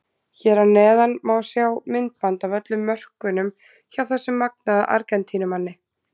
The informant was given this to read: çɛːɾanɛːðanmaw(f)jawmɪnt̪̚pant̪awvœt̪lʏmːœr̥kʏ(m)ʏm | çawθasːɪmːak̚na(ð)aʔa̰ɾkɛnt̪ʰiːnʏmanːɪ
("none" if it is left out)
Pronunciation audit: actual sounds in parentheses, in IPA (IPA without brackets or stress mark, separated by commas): s, n, ð